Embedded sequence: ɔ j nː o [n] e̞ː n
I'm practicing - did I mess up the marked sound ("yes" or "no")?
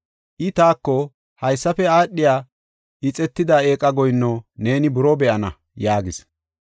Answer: no